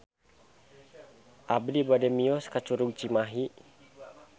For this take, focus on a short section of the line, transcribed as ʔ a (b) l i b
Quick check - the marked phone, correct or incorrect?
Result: correct